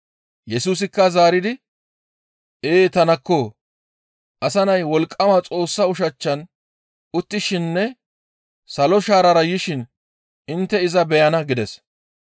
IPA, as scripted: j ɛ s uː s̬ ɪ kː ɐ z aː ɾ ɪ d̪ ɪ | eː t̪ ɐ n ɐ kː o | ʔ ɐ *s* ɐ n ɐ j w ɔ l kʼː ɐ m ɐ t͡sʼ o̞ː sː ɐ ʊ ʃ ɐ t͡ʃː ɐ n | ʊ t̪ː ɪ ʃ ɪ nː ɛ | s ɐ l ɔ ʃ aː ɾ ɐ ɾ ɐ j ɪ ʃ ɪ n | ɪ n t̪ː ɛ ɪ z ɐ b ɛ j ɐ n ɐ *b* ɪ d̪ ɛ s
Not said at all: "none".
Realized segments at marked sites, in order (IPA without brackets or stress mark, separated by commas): s, ɡ